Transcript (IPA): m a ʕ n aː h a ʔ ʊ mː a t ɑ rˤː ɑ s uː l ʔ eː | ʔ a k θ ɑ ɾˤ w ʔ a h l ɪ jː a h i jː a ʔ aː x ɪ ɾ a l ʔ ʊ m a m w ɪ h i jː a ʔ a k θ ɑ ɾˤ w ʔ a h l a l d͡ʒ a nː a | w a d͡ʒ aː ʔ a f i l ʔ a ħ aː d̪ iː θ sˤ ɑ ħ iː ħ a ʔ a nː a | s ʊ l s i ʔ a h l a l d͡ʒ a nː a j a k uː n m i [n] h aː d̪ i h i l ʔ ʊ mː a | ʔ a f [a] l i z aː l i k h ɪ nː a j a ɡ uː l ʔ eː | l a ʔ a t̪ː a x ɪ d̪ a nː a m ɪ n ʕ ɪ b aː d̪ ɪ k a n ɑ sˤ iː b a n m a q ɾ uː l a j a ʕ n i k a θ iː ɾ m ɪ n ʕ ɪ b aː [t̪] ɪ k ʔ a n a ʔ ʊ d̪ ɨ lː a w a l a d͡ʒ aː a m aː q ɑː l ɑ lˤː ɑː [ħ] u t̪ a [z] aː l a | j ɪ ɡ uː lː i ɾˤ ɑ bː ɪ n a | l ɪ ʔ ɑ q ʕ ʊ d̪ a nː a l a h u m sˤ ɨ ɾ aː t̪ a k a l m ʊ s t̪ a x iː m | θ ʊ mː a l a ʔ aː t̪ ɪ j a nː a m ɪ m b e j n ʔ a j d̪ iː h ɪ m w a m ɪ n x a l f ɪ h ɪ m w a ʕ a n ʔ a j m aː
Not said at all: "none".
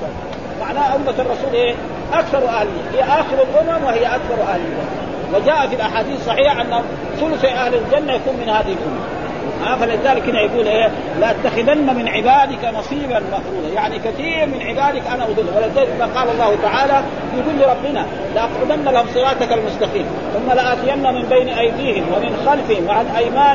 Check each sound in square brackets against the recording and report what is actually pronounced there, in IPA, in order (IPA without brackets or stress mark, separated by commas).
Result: n, a, d̪, h, ʕ